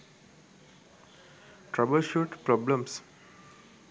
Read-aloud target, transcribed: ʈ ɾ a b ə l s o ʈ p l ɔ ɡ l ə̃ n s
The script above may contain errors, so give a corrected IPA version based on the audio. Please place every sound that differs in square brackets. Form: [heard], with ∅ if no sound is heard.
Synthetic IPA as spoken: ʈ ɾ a b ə l [ʃ] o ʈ p [ɾ] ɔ [b] l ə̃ [m] s